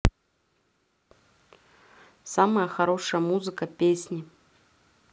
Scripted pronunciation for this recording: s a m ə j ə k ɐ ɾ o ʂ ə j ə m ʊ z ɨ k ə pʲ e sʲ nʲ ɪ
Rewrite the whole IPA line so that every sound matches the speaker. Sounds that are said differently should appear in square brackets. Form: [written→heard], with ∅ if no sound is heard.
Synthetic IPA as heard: s a m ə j ə [k→x] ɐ ɾ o ʂ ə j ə m [ʊ→u] z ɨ k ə pʲ e sʲ nʲ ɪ